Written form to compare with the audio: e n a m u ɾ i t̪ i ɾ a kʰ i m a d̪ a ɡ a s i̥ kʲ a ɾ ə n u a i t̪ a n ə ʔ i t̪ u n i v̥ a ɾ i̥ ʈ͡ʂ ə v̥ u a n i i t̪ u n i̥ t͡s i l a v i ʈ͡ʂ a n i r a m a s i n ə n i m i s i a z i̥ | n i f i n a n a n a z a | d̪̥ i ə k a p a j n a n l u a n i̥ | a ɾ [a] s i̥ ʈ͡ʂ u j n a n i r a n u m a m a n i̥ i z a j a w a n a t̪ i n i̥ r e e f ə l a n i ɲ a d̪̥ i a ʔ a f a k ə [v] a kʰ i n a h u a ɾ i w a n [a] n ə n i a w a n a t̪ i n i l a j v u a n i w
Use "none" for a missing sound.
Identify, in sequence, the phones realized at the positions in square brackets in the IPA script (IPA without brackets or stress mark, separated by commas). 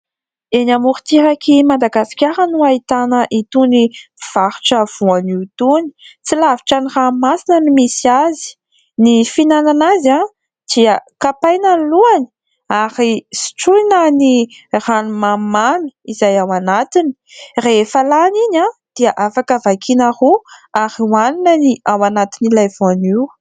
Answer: i, v, i